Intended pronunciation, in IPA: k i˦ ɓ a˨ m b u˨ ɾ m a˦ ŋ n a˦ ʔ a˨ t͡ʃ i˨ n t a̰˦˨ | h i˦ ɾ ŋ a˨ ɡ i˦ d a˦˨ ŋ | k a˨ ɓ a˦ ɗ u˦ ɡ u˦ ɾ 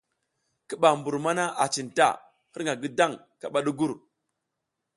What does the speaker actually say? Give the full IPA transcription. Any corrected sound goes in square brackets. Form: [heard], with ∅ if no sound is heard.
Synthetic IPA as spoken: k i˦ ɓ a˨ m b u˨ ɾ m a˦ [∅] n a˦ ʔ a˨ t͡ʃ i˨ n t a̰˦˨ | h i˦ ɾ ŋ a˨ ɡ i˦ d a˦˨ ŋ | k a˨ ɓ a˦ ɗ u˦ ɡ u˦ ɾ